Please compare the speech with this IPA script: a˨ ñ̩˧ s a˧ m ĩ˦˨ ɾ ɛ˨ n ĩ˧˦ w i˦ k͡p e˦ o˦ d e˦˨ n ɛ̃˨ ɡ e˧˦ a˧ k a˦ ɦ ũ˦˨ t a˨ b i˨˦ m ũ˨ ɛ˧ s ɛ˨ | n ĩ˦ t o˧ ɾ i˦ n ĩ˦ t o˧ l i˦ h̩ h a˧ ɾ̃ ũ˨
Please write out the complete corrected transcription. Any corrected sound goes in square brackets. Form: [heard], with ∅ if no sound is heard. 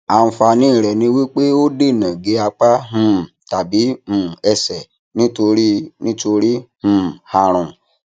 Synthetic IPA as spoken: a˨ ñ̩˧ [f] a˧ [n] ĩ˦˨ ɾ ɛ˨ n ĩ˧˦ w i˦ k͡p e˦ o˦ d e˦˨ n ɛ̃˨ ɡ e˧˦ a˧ [k͡p] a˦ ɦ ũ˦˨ t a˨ b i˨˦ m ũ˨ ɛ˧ s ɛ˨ | n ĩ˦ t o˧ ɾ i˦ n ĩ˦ t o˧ [ɾ] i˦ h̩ h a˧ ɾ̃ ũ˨